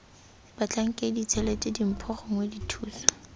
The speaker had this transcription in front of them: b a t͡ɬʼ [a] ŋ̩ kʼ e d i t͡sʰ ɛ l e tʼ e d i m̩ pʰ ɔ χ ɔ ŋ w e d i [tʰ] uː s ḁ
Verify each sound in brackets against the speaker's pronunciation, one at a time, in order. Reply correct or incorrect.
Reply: correct, correct

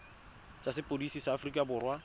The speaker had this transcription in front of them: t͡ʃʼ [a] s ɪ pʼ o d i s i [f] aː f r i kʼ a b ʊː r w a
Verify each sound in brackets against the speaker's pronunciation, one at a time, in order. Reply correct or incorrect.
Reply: correct, incorrect: s

